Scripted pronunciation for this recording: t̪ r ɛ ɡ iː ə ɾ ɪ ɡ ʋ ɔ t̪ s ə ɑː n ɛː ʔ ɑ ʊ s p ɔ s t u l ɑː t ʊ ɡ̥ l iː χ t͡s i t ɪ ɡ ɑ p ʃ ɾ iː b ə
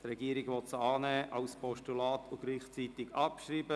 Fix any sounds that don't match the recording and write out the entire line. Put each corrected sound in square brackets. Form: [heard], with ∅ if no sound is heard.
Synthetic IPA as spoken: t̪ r ɛ ɡ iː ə ɾ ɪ ɡ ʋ ɔ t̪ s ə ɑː n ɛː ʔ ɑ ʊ s p ɔ [ʃ] t u l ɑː t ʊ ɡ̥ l iː χ t͡s i t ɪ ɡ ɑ p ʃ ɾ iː b ə